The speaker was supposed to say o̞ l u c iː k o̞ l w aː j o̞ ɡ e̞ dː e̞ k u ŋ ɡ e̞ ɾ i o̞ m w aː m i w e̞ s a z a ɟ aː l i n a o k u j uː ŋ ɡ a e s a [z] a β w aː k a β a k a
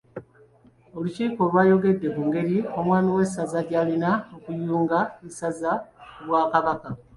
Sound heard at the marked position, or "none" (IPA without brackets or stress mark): z